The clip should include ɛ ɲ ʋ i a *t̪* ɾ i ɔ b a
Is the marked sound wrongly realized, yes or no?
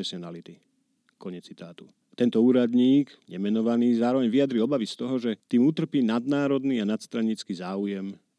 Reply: yes